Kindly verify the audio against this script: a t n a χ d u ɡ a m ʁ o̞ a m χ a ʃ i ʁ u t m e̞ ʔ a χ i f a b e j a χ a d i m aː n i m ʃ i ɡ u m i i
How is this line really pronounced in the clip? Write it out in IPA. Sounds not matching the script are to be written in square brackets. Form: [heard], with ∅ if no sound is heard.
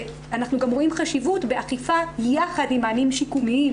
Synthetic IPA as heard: a [∅] n a χ [n] u ɡ a m ʁ o̞ [i] m χ a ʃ i [v] u t [b] e̞ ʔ a χ i f a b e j a χ a d i m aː n i m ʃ i [k] u m i i

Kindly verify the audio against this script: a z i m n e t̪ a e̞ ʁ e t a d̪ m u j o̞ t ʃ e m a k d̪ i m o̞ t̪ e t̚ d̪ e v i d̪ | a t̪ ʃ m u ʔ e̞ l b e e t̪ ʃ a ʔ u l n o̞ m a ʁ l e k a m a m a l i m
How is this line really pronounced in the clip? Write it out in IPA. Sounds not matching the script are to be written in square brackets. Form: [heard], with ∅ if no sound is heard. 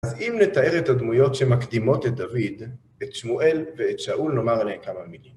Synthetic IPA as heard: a z i m n e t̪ a e̞ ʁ e t a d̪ m u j o̞ t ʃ e m a k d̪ i m o̞ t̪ e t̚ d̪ [a] v i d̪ | [e] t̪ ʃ m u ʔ e̞ l [v] e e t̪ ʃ a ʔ u l n o̞ m a ʁ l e k a m a m [i] l i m

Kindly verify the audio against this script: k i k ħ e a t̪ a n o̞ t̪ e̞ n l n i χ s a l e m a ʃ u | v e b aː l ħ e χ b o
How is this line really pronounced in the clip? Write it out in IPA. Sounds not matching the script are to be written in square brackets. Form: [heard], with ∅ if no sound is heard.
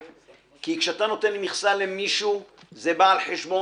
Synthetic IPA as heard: k i k [ʃ] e a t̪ a n o̞ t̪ e̞ n l [m] i χ s a l e m [i] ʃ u | [z] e b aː l ħ e [ʃ] b o

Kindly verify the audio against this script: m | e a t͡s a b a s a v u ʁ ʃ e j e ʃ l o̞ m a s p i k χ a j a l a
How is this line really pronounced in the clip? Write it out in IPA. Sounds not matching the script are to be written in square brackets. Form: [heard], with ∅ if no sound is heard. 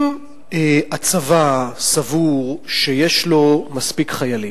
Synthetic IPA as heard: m | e a t͡s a [v] a s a v u ʁ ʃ e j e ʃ l o̞ m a s p i k χ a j a l [i]

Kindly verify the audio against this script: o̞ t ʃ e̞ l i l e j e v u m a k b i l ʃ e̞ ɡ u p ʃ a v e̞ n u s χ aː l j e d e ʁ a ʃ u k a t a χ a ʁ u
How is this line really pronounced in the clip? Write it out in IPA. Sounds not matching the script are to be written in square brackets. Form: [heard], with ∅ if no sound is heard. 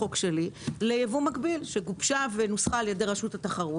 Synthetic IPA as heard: o̞ [k] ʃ e̞ l i l e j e v u m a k b i l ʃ e̞ ɡ u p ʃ a v e̞ n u s χ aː l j e d e ʁ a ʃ u [t] a t a χ a ʁ u

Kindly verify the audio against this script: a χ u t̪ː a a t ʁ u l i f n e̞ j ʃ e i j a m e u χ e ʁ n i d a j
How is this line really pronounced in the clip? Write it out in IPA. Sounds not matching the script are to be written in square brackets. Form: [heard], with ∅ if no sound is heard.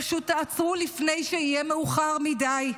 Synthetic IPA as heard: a [ʃ] u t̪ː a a [t͡s] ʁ u l i f n e̞ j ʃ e i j [e] m e u χ [a] ʁ [m] i d a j

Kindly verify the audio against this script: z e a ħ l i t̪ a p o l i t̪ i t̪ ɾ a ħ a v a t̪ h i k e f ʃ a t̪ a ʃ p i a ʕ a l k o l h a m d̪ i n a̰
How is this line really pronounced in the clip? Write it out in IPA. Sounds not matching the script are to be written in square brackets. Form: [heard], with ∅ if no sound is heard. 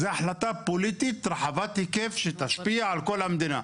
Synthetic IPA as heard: z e a ħ l [a] t̪ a p o l i t̪ i t̪ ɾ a ħ a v a t̪ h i k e f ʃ [e] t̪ a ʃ p i a ʕ a l k o l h a m d̪ i n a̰

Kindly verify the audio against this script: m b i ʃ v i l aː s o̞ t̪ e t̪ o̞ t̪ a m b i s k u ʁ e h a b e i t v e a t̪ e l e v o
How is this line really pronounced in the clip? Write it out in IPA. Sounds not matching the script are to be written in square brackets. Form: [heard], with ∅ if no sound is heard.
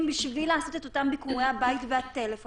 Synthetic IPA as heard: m b i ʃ v i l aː s o̞ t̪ e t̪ o̞ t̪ a m b i [∅] k u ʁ e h a b [a] i t v e a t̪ e l e [f] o

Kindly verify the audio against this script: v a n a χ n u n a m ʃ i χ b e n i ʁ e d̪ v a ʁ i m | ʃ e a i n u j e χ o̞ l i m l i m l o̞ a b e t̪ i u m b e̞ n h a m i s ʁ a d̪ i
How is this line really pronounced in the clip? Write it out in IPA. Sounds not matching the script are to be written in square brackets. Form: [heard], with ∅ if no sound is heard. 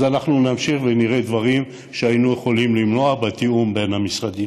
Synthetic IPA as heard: [z] a n a χ n u n a m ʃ i χ [v] e n i ʁ e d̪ v a ʁ i m | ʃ e a i n u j e χ o̞ l i m l i m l o̞ a b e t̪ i u m b e̞ n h a m i s ʁ a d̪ i

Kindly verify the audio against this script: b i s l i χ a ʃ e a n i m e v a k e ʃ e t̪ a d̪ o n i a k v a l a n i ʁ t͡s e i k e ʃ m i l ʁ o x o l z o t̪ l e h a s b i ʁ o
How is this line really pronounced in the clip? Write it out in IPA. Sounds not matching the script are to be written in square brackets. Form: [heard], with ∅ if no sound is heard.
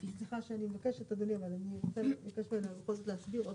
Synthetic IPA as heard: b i s l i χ a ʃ e a n i m e v a k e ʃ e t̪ a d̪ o n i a [∅] v a l a n i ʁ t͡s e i k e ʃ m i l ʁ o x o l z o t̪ l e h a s b i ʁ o

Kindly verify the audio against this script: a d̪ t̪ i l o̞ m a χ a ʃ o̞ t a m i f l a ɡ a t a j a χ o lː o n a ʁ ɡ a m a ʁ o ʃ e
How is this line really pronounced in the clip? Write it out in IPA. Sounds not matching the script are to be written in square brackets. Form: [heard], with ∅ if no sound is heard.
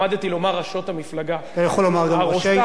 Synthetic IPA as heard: a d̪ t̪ i l o̞ m a [ʁ] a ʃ o̞ t a m i f l a ɡ a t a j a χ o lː o [m] a ʁ ɡ a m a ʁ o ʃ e

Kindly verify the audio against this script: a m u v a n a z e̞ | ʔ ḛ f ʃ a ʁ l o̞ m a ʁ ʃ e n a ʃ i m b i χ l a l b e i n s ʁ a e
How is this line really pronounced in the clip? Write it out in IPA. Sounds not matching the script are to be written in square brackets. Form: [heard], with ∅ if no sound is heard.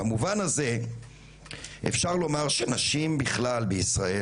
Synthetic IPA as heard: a m u v a n a z e̞ | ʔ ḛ f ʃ a ʁ l o̞ m a ʁ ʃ e n a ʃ i m b i χ l a l b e i [∅] s ʁ a e

